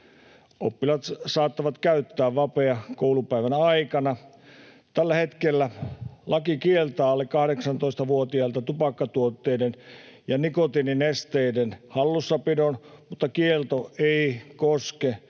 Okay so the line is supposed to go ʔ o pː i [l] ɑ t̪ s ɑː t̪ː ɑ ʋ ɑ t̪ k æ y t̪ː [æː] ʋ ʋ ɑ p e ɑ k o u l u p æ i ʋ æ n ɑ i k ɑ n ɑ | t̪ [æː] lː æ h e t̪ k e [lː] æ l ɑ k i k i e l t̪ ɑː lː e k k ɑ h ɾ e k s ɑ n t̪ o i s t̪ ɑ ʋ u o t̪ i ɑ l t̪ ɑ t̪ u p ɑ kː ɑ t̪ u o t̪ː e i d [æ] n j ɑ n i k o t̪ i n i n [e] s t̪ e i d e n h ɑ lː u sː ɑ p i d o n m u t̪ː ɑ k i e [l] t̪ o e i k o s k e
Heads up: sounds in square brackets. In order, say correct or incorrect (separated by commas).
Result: correct, correct, incorrect, correct, incorrect, correct, correct